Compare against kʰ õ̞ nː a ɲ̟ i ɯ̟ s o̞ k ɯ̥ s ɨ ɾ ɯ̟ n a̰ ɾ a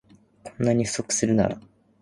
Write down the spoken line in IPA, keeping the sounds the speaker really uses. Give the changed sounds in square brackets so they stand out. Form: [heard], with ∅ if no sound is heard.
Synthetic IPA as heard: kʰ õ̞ nː a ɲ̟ i ɯ̟ s o̞ k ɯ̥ s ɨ ɾ ɯ̟ n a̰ ɾ a